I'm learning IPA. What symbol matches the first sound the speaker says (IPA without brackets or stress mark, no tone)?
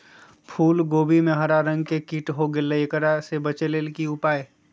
pʰ